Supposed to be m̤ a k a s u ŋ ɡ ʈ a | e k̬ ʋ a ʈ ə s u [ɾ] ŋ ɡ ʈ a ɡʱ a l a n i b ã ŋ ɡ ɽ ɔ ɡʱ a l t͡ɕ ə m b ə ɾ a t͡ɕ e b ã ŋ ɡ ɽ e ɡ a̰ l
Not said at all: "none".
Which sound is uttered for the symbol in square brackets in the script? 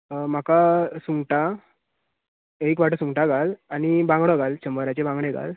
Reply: none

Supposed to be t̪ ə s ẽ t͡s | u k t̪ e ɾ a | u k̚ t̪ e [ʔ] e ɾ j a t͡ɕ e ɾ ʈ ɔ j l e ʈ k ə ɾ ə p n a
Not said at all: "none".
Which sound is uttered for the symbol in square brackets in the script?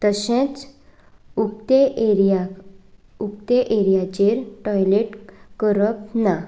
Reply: ʔ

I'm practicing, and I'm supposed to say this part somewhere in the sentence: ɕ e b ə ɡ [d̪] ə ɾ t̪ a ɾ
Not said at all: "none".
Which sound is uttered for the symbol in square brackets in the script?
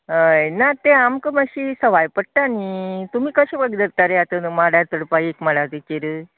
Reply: d̪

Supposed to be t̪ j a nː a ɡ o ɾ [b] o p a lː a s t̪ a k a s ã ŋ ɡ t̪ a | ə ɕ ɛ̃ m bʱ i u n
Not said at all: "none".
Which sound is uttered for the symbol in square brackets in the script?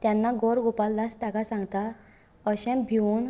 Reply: ɡ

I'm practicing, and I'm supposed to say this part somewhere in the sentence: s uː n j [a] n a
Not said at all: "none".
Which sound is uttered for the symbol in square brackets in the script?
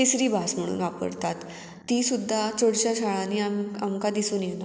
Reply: e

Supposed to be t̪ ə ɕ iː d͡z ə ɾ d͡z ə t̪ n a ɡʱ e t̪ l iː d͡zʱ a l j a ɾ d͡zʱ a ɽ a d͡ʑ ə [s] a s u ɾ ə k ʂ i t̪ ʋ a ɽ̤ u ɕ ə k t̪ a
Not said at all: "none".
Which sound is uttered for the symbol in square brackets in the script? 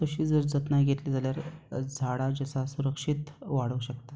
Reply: s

